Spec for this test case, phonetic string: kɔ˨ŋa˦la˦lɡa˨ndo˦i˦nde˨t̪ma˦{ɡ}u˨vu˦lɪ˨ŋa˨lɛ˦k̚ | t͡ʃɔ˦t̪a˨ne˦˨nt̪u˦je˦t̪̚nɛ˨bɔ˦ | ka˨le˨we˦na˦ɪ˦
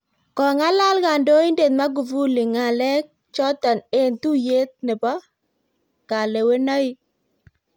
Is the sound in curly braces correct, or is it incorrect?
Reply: correct